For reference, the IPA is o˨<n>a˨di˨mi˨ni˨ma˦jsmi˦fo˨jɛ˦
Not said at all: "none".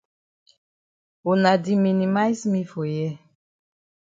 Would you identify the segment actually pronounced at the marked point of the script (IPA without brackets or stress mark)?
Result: n